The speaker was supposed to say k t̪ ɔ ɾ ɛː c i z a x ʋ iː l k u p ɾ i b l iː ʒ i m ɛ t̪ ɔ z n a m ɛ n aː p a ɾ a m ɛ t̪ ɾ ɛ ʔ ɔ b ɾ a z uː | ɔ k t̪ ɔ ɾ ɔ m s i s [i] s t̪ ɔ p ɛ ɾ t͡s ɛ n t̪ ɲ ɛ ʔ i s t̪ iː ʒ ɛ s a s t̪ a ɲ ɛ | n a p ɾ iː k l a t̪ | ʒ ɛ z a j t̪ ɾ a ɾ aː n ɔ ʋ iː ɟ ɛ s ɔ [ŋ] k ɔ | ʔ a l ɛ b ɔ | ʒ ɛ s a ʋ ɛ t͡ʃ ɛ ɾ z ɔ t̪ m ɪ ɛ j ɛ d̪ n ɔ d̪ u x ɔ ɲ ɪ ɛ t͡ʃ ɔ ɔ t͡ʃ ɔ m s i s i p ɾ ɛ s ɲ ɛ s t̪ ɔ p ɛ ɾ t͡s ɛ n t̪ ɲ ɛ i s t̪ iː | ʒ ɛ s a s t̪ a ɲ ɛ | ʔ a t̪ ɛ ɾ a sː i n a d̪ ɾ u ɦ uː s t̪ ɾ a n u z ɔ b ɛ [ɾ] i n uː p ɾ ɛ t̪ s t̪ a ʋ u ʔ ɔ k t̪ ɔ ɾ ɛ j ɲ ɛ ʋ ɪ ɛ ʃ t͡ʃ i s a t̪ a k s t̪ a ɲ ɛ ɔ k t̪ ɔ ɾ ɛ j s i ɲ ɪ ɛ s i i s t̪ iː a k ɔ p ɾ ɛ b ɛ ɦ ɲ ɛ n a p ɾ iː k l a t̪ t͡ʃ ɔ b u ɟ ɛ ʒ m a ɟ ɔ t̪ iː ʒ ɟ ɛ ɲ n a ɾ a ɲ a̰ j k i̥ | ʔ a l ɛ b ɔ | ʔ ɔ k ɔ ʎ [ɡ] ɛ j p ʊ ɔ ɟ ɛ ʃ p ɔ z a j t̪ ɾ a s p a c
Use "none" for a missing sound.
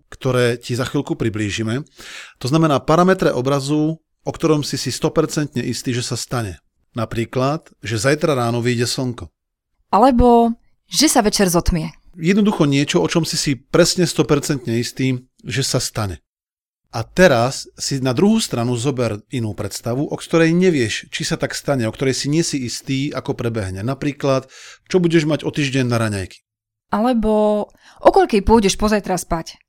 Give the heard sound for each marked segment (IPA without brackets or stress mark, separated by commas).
i, ŋ, ɾ, k